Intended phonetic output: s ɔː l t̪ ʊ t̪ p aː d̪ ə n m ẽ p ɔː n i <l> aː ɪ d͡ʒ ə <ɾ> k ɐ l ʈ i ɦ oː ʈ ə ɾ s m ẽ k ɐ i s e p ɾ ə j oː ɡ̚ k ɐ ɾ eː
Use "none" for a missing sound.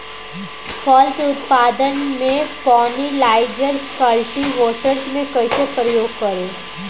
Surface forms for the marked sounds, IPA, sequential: l, ɾ

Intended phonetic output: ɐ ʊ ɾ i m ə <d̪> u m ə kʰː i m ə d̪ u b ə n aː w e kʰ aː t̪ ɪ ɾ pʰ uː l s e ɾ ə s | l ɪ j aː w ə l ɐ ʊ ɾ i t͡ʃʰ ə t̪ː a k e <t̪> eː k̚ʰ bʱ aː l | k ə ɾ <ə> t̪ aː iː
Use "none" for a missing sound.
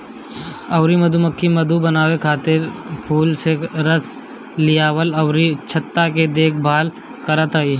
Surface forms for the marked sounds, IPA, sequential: d̪, d̪, ə

